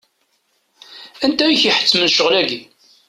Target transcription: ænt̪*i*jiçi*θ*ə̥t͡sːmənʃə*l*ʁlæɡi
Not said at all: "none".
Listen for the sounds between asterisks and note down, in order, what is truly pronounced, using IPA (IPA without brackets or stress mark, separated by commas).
æ, ħ, none